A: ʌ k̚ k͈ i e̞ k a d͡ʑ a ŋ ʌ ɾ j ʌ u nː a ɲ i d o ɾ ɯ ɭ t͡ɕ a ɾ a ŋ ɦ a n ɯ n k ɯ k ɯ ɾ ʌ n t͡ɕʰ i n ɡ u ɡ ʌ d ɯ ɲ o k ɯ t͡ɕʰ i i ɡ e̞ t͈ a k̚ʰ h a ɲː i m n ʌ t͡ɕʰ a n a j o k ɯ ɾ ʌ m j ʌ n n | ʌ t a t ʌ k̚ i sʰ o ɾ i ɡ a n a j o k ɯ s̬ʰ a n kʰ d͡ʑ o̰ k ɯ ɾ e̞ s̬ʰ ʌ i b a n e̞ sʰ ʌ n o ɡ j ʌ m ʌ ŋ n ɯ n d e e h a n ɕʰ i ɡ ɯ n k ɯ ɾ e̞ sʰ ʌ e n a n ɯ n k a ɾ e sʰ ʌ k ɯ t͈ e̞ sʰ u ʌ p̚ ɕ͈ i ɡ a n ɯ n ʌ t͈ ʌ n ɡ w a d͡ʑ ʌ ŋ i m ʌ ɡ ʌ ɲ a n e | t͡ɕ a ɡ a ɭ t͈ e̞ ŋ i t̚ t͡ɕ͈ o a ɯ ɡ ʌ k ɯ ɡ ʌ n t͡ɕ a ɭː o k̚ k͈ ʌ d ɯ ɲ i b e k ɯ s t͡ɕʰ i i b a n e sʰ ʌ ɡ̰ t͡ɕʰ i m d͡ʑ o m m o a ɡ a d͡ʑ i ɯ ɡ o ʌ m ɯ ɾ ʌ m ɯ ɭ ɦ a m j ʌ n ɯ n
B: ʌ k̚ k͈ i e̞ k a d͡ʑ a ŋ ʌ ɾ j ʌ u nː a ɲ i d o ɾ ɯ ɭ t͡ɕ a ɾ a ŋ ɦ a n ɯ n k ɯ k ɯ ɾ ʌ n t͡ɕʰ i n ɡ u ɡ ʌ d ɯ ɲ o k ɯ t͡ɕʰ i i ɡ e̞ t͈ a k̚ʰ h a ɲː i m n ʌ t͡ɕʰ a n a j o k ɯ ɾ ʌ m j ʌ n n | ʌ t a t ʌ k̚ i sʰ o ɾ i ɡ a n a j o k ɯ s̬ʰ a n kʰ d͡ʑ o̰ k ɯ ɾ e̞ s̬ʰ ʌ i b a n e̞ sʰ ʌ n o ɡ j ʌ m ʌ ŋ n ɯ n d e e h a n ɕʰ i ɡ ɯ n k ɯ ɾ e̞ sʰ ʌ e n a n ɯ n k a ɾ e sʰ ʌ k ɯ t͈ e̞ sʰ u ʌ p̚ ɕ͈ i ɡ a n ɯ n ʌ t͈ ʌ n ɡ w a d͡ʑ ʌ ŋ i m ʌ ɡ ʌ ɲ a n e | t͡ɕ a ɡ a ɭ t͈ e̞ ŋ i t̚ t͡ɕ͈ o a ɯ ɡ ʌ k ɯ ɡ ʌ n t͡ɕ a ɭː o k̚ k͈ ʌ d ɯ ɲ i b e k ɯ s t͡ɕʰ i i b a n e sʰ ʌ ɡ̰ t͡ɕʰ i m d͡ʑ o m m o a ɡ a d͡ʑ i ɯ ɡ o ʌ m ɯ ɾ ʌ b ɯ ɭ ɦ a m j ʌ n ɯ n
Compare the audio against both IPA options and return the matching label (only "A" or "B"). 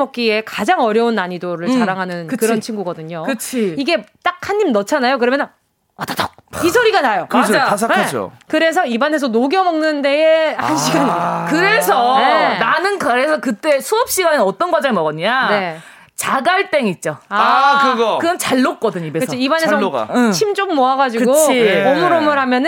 A